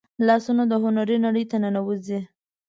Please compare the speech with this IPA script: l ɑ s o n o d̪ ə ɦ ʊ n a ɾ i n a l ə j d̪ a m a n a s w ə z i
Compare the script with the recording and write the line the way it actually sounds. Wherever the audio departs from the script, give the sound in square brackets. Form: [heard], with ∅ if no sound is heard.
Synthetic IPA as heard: l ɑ s [u] n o d̪ ə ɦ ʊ n a ɾ i n a [ɽ] ə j [t̪] a [n] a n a [∅] w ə z i

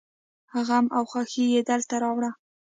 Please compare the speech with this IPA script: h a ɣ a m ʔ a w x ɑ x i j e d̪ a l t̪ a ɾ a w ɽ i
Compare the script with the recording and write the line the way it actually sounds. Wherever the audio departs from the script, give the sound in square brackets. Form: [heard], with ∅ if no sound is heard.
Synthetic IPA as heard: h a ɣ a m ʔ a w x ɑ x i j e d̪ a l t̪ a ɾ [ɑ] w ɽ [a]

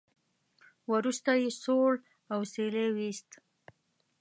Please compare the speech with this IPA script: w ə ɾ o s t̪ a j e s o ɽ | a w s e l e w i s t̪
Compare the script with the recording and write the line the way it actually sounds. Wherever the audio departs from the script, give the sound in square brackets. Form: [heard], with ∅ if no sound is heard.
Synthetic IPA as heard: w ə ɾ [u] s t̪ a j e s o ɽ | a w s e l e w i s t̪

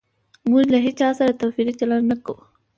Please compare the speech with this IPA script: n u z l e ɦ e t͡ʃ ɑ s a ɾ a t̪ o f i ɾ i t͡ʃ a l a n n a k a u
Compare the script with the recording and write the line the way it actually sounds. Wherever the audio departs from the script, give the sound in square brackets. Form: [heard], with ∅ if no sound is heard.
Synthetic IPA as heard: [m] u [ʒ] l [a] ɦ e t͡ʃ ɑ s a ɾ a t̪ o f i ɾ i t͡ʃ a l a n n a k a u

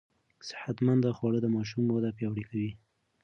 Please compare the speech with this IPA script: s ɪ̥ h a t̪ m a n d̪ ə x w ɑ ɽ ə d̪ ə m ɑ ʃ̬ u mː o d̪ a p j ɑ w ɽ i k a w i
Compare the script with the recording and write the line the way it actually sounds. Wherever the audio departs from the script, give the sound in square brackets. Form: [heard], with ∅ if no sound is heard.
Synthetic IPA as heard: s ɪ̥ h a t̪ m a n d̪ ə x w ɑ ɽ ə d̪ ə m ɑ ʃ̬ u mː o d̪ a p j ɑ w ɽ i k a w i

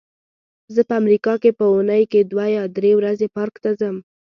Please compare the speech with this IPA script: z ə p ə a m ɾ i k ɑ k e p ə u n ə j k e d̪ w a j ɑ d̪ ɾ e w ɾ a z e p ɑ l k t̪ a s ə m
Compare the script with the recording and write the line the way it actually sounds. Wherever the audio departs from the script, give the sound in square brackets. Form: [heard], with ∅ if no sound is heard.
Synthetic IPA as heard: z ə p ə a m ɾ i k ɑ k e p ə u n ə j k e d̪ w a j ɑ d̪ ɾ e w ɾ a z e p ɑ [ɾ] k t̪ a [z] ə m

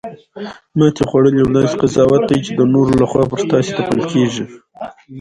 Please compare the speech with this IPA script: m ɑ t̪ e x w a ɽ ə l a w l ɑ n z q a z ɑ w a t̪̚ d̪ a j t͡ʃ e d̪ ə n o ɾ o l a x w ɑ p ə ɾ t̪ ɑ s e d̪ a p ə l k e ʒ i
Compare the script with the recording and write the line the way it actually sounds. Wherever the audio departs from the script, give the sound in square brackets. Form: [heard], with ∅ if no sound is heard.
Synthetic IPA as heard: m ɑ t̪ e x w a ɽ ə l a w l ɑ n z q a z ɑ w a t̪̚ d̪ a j t͡ʃ e d̪ ə n o ɾ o l a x w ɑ p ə ɾ t̪ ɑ s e [t̪] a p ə l k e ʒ i

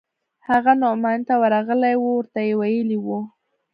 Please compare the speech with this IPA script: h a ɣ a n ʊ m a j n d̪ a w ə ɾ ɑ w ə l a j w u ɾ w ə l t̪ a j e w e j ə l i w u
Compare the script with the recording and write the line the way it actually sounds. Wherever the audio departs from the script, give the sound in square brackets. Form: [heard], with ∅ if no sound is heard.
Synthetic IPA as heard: h a ɣ a n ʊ m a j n [t̪] a w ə ɾ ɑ [ɣ] ə l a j w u [∅] w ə [ɾ] t̪ a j e w [a] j ə l i w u

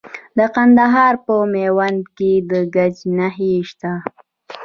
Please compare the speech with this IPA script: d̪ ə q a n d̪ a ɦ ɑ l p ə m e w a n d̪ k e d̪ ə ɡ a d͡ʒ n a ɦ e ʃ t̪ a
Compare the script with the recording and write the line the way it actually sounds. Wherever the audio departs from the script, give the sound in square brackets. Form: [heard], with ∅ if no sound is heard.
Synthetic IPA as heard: d̪ ə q a n d̪ a ɦ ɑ [ɾ] p ə m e w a n d̪ k e d̪ ə ɡ a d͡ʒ n a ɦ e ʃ t̪ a

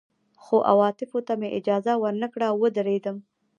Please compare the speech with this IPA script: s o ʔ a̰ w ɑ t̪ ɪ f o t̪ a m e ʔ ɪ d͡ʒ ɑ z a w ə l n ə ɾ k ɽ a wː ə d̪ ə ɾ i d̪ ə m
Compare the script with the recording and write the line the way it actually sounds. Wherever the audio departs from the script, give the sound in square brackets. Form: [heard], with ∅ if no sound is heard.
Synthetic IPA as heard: [x] o ʔ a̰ w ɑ t̪ ɪ f o t̪ a m e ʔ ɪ d͡ʒ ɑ z a w ə [ɾ] n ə [∅] k ɽ a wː ə d̪ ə ɾ [e] d̪ ə m

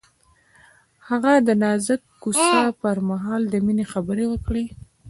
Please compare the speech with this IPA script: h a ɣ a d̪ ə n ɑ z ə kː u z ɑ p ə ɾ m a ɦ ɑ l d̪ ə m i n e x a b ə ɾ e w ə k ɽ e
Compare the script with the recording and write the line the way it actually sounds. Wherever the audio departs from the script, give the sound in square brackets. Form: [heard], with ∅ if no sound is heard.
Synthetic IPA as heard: h a ɣ a d̪ ə n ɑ z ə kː u [s] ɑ p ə ɾ m a ɦ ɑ l d̪ ə m i n e x a b ə ɾ e w ə k ɽ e

